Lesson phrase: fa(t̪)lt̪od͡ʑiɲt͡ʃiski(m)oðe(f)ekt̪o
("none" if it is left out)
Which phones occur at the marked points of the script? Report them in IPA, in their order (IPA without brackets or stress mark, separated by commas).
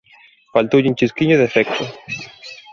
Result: none, ɲ, f